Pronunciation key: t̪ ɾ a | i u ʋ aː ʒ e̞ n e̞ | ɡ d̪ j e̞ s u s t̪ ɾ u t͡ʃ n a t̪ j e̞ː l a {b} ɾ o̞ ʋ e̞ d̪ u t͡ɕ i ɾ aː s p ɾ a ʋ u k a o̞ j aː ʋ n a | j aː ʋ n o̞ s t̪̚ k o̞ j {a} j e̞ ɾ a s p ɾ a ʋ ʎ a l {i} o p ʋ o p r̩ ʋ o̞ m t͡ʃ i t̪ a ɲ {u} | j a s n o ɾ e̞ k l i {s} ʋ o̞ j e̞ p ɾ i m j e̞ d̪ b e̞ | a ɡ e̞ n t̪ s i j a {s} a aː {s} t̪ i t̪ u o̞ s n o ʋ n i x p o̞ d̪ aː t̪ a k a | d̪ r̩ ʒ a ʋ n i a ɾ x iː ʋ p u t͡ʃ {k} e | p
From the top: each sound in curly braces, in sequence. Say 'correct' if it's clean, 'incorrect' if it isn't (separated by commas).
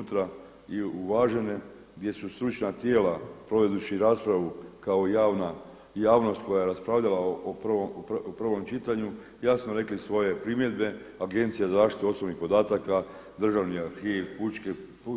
incorrect, correct, incorrect, correct, correct, incorrect, incorrect, correct